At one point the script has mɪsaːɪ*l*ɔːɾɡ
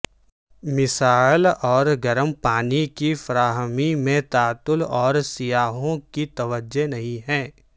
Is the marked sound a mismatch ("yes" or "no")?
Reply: no